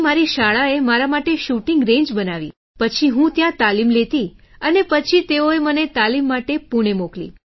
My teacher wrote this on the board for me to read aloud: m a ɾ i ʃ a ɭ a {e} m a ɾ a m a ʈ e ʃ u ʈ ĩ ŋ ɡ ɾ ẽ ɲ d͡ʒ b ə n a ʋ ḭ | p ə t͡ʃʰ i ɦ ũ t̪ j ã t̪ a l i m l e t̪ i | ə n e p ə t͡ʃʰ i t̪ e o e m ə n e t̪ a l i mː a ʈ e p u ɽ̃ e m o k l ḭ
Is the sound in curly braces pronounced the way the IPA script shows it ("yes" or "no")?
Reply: yes